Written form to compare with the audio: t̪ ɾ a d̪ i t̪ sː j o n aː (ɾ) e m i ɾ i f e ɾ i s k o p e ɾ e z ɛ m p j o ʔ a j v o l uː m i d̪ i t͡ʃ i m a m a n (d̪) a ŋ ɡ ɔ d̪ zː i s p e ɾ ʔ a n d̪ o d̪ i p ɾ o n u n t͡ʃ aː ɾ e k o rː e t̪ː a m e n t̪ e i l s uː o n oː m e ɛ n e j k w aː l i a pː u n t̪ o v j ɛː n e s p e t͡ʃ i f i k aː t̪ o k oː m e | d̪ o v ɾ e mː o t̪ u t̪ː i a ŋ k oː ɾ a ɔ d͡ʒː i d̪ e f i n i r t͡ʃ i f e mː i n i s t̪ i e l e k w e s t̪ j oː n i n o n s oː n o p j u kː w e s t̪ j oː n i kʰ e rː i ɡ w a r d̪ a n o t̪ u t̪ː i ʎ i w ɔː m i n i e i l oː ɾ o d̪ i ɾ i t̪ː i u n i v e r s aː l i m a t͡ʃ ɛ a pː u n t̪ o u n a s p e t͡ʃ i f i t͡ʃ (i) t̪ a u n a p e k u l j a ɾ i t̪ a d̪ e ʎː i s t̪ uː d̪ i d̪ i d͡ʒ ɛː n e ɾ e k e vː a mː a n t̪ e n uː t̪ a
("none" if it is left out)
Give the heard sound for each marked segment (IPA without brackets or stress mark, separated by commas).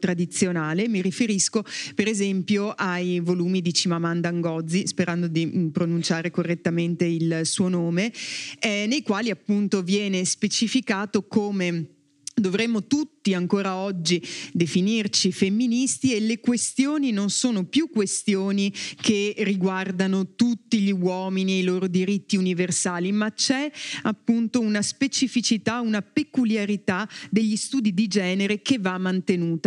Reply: l, d̪, i